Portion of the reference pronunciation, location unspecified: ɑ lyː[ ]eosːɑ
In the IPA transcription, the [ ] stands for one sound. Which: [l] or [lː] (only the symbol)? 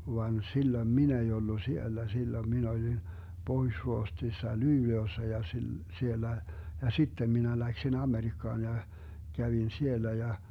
l